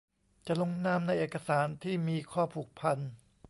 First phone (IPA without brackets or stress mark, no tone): t͡ɕ